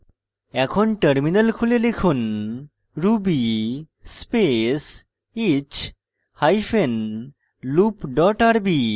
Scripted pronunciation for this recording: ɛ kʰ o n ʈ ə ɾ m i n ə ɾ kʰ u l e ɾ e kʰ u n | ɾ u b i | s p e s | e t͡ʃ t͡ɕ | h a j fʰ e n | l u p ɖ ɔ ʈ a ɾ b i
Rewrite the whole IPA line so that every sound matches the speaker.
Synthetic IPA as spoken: ɛ kʰ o n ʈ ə ɾ m i n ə l kʰ u l e l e kʰ u n | ɾ u b i | s p e s | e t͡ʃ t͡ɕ | h a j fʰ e n | l u p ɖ ɔ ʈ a ɾ b i